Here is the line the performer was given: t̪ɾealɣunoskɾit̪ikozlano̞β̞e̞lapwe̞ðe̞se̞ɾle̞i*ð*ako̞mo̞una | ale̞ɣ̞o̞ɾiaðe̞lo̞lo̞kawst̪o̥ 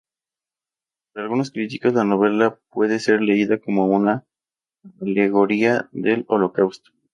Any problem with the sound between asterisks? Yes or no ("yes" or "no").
no